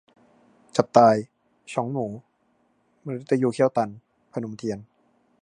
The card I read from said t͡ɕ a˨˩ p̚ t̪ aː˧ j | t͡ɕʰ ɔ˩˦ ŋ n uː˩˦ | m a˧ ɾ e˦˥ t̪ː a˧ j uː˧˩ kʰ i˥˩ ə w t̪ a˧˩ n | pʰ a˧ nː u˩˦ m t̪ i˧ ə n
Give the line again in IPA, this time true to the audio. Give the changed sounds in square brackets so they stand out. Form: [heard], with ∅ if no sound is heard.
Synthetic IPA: t͡ɕ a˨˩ p̚ t̪ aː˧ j | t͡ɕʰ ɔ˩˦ ŋ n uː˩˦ | m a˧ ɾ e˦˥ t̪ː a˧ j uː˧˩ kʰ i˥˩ ə w t̪ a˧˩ n | pʰ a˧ [n] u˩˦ m [t̪ʰ] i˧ ə n